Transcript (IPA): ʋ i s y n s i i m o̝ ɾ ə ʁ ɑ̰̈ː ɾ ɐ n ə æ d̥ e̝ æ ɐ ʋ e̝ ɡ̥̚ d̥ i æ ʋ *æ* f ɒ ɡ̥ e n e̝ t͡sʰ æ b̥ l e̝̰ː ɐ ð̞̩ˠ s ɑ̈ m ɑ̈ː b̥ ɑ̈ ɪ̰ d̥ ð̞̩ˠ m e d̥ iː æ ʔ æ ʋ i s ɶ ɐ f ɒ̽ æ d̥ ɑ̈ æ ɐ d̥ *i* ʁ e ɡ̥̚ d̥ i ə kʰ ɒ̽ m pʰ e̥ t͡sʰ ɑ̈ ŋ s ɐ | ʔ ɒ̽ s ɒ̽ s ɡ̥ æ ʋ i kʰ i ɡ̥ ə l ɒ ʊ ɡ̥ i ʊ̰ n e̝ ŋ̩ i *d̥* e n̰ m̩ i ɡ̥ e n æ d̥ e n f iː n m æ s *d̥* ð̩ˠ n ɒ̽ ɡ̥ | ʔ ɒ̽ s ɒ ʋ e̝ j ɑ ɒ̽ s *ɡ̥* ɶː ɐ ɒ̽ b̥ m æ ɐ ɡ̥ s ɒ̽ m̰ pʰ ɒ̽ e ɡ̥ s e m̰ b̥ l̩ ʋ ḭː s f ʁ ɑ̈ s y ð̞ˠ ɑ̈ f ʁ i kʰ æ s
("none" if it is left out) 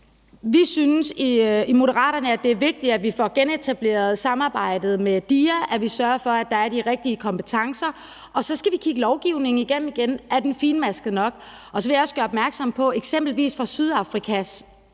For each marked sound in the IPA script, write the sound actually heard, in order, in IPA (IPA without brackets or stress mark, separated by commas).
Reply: i, i, ɡ̥, ɡ̥, ɡ̥